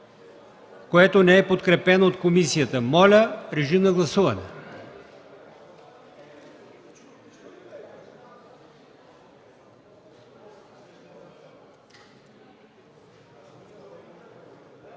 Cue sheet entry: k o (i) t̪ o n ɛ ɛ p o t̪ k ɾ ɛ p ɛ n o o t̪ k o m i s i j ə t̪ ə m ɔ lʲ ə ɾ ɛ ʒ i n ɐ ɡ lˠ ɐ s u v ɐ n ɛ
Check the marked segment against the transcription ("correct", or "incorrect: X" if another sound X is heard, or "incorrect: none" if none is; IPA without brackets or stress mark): incorrect: ɛ